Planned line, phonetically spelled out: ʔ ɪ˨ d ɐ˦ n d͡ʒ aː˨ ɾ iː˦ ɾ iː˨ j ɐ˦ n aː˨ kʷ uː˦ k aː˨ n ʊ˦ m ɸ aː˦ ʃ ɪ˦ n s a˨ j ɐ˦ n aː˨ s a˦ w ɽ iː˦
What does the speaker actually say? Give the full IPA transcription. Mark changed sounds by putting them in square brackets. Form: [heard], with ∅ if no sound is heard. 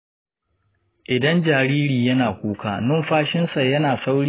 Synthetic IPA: ʔ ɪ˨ d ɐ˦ n d͡ʒ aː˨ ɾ iː˦ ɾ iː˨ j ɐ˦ n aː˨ kʷ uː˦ k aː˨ n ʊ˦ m ɸ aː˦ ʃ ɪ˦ n s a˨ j ɐ˦ n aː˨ s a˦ w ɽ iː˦